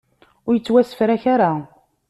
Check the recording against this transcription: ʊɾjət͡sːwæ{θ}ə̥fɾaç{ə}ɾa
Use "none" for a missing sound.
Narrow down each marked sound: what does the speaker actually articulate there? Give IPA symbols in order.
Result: s, a

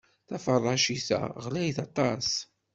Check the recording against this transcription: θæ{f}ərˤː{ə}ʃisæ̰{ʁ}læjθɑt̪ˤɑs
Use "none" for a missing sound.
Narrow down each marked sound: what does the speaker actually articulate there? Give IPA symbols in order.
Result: f, ɑ, ʁ

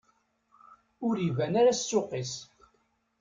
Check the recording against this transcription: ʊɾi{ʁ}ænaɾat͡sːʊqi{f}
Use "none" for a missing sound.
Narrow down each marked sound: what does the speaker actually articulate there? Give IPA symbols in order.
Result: v, s

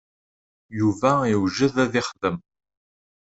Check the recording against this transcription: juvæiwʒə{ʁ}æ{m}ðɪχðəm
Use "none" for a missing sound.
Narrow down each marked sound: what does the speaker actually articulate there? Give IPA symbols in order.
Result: ð, none

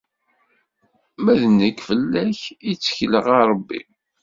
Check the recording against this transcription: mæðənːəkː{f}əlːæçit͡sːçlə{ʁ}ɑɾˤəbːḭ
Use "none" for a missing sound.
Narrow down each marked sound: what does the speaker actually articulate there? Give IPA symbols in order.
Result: f, ʁ

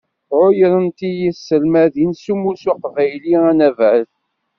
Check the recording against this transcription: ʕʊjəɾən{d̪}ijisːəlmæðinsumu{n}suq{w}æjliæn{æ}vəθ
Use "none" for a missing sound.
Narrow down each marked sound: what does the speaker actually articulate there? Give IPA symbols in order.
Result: t̪, none, v, æ

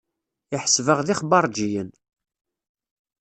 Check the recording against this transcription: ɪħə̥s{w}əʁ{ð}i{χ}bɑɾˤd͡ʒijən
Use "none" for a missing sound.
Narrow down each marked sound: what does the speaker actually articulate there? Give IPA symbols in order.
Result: v, ð, χ

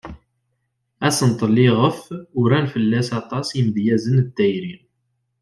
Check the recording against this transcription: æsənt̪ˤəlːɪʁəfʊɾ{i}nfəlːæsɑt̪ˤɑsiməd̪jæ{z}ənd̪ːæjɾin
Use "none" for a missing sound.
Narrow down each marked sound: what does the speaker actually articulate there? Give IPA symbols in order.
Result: æ, z

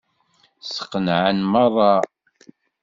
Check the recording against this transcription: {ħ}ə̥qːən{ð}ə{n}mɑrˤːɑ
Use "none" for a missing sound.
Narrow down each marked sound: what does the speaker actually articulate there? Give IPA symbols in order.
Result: s, ʕ, n

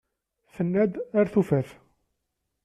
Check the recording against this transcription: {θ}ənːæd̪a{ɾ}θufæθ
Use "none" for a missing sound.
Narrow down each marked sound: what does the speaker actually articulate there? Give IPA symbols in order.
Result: θ, ɾ

